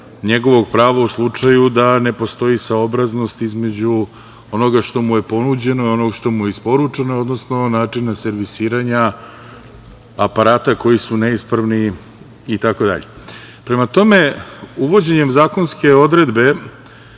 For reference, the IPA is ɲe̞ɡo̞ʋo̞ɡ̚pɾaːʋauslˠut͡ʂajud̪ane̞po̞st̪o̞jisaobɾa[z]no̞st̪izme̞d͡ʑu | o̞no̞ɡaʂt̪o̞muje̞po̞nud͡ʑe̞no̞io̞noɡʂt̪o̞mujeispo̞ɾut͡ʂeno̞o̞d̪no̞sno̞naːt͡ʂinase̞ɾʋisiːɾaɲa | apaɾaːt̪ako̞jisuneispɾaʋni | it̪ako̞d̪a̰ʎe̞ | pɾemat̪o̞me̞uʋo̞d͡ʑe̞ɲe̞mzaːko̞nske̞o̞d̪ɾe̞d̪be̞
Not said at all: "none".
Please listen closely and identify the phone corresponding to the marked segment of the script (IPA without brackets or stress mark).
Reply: z